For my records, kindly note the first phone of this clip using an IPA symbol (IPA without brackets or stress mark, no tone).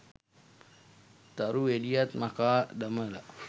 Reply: t̪